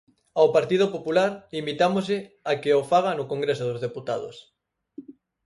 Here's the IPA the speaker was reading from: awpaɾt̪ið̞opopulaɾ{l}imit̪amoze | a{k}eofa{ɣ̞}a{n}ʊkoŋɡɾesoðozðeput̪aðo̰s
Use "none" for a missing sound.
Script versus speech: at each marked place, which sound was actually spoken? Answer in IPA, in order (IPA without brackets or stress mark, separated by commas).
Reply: l, k, ɣ̞, n